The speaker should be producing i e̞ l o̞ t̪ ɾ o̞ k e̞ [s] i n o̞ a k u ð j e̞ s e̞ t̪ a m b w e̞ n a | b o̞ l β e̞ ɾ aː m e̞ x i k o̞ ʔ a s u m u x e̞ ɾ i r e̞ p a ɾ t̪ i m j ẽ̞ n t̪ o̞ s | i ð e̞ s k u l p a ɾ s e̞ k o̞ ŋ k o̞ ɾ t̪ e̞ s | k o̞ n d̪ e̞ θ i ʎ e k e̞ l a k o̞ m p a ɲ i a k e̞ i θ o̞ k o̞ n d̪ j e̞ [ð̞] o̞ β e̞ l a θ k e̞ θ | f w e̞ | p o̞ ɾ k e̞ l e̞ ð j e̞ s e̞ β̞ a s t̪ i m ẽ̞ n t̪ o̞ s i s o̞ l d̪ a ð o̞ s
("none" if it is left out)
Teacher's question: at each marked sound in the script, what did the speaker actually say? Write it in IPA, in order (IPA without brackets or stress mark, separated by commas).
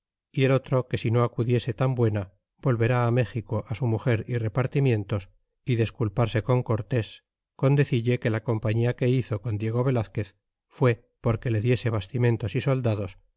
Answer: s, ɣ̞